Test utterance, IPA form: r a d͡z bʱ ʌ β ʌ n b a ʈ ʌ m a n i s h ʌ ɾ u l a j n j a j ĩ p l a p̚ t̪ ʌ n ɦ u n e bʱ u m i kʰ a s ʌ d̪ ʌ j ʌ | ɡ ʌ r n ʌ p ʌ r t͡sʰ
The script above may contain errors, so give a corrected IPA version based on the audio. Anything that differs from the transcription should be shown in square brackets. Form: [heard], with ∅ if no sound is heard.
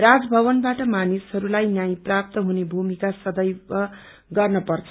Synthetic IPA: r a d͡z bʱ ʌ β ʌ n b a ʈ ʌ m a n i s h ʌ ɾ u l a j n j a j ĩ p [r] a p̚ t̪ ʌ [∅] ɦ u n e bʱ u m i [k] a s ʌ d̪ ʌ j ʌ | ɡ ʌ r n ʌ p ʌ r t͡sʰ

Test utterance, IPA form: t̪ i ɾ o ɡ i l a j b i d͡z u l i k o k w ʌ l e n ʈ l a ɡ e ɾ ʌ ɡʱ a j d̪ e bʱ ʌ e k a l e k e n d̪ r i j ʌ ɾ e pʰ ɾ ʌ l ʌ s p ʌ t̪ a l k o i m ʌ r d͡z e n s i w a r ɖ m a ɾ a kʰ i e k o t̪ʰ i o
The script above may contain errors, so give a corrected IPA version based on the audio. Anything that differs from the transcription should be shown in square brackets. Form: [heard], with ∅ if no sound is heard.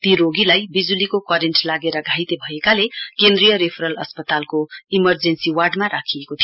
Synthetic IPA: t̪ i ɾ o ɡ i l a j b i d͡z u l i k o k w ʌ [ɾ] e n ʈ l a ɡ e ɾ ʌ ɡʱ a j [t̪] e bʱ ʌ e k a l e k e n d̪ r i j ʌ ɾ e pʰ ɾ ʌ l ʌ s p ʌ t̪ a l k o i m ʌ r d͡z e n s i w a r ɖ m a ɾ a kʰ i e k o t̪ʰ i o

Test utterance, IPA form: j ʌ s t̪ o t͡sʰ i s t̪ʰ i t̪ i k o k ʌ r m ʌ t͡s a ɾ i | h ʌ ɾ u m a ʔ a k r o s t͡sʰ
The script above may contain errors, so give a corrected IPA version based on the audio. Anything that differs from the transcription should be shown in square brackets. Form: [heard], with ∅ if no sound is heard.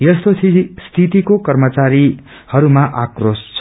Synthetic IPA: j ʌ s t̪ o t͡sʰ i s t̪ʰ i t̪ i k o k ʌ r m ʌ t͡s a ɾ i | h ʌ ɾ u m a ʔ a k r o s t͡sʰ

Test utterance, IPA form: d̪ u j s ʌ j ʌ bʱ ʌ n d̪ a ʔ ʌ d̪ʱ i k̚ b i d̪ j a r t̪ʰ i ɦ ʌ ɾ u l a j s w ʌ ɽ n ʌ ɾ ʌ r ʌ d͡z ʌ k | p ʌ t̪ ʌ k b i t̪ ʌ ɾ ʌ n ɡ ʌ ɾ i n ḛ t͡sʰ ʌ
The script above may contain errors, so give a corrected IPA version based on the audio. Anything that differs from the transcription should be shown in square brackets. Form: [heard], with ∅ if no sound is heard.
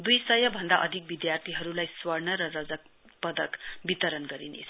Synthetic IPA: d̪ u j s ʌ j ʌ bʱ ʌ n d̪ a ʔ ʌ d̪ʱ i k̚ b i d̪ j a r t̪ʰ i ɦ ʌ ɾ u l a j s w ʌ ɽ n ʌ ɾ ʌ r ʌ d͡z ʌ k | p ʌ [d̪] ʌ k b i t̪ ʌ ɾ ʌ n ɡ ʌ ɾ i n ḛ t͡sʰ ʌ

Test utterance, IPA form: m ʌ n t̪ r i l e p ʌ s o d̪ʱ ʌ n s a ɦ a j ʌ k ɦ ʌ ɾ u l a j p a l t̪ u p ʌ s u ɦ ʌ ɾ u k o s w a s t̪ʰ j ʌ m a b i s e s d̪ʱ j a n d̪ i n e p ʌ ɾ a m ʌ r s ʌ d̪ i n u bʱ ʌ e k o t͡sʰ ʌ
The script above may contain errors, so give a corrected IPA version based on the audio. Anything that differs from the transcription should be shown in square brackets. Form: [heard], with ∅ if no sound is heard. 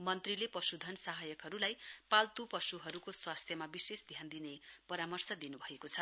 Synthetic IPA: m ʌ n t̪ r i l e p ʌ s [u] d̪ʱ ʌ n s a ɦ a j ʌ k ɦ ʌ ɾ u l a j p a l t̪ u p ʌ s u ɦ ʌ ɾ u k o s w a s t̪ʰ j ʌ m a b i s e s d̪ʱ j a n d̪ i n e p ʌ ɾ a m ʌ r s ʌ d̪ i n u bʱ ʌ e k o t͡sʰ ʌ

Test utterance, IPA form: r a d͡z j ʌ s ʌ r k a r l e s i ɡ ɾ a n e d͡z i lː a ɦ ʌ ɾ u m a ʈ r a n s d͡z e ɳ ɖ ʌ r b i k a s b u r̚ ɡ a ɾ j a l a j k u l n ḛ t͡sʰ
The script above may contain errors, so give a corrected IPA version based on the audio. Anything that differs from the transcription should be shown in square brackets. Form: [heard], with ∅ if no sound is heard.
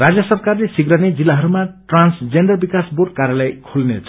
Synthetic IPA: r a d͡z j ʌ s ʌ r k a r l e s i ɡ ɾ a n e d͡z i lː a ɦ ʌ ɾ u m a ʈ r a n s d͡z e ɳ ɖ ʌ r b i k a s b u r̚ [k] a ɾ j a l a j [kʰ] u l n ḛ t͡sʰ

